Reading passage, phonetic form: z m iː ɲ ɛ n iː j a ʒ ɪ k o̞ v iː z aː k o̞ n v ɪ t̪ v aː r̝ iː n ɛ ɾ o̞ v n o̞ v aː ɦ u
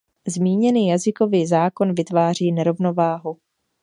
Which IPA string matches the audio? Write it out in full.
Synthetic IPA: z m iː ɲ ɛ n iː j a z ɪ k o̞ v iː z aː k o̞ n v ɪ t̪ v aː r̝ iː n ɛ ɾ o̞ v n o̞ v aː ɦ u

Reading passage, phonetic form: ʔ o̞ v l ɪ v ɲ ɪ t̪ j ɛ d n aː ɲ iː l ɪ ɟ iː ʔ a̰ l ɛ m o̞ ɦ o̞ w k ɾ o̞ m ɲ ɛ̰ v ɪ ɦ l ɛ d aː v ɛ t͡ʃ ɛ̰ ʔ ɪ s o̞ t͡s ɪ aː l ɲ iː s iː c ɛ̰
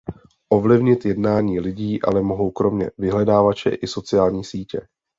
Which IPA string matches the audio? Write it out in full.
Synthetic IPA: ʔ o̞ v l ɪ v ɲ ɪ t̪ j ɛ d n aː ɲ iː l ɪ ɟ iː ʔ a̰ l ɛ m o̞ ɦ o̞ w k ɾ o̞ m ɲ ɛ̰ v ɪ ɦ l ɛ d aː v a t͡ʃ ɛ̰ ʔ ɪ s o̞ t͡s ɪ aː l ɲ iː s iː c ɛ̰

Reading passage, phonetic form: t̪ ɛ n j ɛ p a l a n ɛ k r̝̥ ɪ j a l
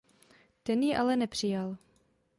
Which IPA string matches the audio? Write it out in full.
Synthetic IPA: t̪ ɛ n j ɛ ʔ a l ɛ n ɛ p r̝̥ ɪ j a l

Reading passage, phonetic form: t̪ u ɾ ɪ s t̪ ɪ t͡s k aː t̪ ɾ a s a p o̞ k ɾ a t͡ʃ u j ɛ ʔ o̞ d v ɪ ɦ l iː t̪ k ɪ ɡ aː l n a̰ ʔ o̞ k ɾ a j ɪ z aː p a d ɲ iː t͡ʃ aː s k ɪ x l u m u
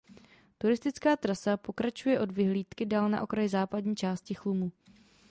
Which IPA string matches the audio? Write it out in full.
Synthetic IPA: t̪ u ɾ ɪ s t̪ ɪ t͡s k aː t̪ ɾ a s a p o̞ k ɾ a t͡ʃ u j ɛ ʔ o̞ d v ɪ ɦ l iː t̪ k ɪ d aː l n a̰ ʔ o̞ k ɾ a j ɪ z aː p a d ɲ iː t͡ʃ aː s c ɪ x l u m u

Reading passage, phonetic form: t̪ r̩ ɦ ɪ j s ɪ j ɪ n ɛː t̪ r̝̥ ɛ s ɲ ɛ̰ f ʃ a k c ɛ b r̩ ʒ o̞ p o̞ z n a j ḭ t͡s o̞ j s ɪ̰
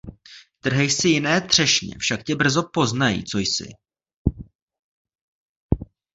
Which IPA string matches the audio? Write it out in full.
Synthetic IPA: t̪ r̩ ɦ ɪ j s ɪ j ɪ n ɛː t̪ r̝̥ ɛ ʃ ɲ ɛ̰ f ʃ a k c ɛ b r̩ z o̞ p o̞ z n a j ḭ t͡s o̞ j s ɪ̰

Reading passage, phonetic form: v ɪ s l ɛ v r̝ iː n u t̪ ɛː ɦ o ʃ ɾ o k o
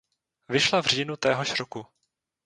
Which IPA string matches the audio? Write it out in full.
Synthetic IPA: v ɪ ʃ l a v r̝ iː n u t̪ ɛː ɦ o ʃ ɾ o k u

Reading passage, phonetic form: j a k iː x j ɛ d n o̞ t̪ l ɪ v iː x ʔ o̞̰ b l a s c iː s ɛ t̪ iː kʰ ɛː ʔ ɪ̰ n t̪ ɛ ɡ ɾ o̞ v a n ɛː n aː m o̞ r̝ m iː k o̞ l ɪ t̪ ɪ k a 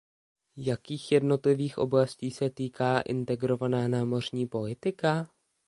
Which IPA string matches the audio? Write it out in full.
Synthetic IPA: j a k iː x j ɛ d n o̞ t̪ l ɪ v iː x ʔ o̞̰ b l a s c iː s ɛ t̪ iː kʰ aː ʔ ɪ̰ n t̪ ɛ ɡ ɾ o̞ v a n aː n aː m o̞ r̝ ɲ iː p o̞ l ɪ t̪ ɪ k a

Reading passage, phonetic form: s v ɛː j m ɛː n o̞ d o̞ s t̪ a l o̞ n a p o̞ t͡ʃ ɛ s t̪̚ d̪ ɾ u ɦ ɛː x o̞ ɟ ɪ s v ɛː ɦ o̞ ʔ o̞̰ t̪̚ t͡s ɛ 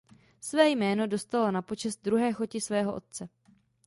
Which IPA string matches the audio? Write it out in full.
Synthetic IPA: s v ɛː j m ɛː n o̞ d o̞ s t̪ a l o̞ n a p o̞ t͡ʃ ɛ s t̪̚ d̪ ɾ u ɦ ɛː x o̞ c ɪ s v ɛː ɦ o̞ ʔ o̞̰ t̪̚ t͡s ɛ

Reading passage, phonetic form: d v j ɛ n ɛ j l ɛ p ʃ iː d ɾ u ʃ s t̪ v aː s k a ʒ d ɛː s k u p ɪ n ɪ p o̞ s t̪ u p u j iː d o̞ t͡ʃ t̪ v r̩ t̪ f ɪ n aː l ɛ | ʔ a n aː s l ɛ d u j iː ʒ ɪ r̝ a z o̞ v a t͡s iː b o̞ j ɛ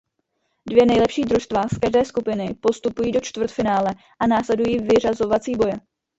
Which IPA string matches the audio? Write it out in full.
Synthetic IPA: d v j ɛ n ɛ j l ɛ p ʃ iː d ɾ u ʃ s t̪ v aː s k a ʒ d ɛː s k u p ɪ n ɪ p o̞ s t̪ u p u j iː d o̞ t͡ʃ t̪ v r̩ t̪ f ɪ n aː l ɛ | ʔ a n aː s l ɛ d u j iː v ɪ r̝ a z o̞ v a t͡s iː b o̞ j ɛ

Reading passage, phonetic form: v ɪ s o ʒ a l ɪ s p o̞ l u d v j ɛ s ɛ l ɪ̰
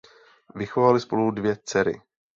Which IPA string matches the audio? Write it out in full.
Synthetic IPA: v ɪ x o v a l ɪ s p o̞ l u d v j ɛ t͡s ɛ ɾ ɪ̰

